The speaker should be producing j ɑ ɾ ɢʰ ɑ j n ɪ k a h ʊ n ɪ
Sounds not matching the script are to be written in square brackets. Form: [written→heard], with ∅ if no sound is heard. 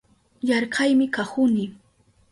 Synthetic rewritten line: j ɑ ɾ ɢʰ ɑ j [n→m] ɪ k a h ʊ n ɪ